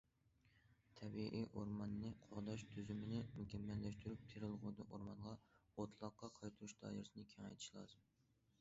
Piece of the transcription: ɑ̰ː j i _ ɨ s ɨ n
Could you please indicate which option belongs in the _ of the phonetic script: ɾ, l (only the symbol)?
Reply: ɾ